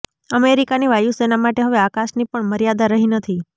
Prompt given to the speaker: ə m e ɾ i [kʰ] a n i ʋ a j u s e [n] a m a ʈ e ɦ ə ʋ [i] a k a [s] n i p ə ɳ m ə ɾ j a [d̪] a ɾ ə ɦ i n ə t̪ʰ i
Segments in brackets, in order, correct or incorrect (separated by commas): incorrect, correct, incorrect, incorrect, correct